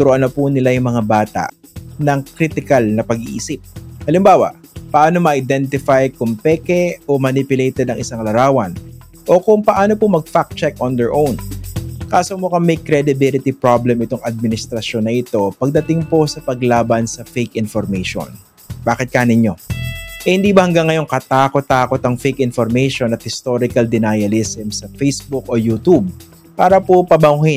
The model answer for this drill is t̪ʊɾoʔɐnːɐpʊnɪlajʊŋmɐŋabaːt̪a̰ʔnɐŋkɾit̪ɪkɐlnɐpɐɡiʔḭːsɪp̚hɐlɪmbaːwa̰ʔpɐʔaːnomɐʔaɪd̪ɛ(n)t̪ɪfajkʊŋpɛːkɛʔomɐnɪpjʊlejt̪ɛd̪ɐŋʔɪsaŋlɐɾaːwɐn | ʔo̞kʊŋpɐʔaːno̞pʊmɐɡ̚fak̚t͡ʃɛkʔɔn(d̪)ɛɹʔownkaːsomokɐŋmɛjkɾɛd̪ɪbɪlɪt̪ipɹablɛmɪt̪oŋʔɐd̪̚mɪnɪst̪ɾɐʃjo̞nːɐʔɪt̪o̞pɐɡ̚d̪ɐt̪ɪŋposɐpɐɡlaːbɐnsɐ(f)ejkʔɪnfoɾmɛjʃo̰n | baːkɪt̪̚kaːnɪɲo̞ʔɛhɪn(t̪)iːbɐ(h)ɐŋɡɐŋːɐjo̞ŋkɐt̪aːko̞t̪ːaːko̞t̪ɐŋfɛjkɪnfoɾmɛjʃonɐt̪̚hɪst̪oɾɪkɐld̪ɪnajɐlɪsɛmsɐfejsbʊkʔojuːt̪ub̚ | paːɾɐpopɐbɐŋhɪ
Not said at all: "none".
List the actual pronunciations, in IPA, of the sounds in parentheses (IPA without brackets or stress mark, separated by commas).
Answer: n, d̪, f, d̪, h